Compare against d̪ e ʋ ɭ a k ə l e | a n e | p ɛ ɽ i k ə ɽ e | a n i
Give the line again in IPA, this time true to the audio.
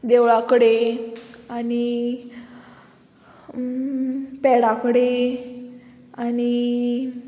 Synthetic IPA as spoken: d̪ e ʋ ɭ a k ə ɽ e | a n i | p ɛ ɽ a k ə ɽ e | a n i